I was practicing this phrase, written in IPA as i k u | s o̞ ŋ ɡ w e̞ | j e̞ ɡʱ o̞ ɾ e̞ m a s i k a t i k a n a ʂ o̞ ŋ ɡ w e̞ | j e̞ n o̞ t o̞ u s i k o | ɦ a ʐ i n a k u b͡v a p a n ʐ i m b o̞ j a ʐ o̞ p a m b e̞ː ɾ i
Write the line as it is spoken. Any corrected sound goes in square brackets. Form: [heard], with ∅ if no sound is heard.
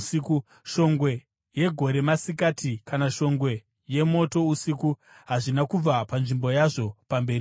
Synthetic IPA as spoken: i k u | [ʃ] o̞ ŋ ɡ w e̞ | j e̞ ɡʱ o̞ ɾ e̞ m a s i k a t i k a n a [ʃ] o̞ ŋ ɡ w e̞ | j e̞ [m] o̞ t o̞ u s i k [u] | ɦ a ʐ i n a k u b͡v a p a n ʐ i m b o̞ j a ʐ o̞ p a m b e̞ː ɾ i